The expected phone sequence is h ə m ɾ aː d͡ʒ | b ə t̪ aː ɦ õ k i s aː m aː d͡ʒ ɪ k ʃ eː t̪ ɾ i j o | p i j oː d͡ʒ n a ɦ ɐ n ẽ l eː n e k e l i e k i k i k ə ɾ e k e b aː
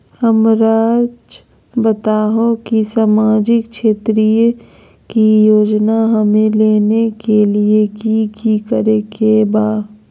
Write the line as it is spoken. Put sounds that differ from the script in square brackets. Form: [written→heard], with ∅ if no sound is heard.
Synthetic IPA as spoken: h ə m ɾ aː d͡ʒ | b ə t̪ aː ɦ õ k i s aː m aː d͡ʒ ɪ k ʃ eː t̪ ɾ i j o | [p→k] i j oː d͡ʒ n a ɦ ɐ [n→m] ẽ l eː n e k e l i e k i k i k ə ɾ e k e b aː